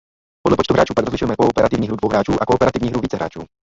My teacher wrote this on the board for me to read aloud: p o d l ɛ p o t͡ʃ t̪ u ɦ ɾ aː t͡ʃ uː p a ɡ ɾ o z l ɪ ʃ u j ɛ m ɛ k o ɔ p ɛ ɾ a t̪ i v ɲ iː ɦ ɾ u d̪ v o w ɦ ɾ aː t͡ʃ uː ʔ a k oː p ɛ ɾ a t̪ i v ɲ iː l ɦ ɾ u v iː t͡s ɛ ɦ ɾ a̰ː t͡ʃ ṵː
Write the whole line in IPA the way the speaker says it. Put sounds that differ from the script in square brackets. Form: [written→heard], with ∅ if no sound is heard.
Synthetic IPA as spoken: p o d l ɛ p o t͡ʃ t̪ u ɦ ɾ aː t͡ʃ uː p a ɡ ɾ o z l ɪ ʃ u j ɛ m ɛ k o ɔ p ɛ ɾ a t̪ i v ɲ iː ɦ ɾ u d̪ v o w ɦ ɾ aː t͡ʃ uː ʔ a k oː p ɛ ɾ a t̪ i v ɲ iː [l→∅] ɦ ɾ u v iː t͡s ɛ ɦ ɾ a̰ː t͡ʃ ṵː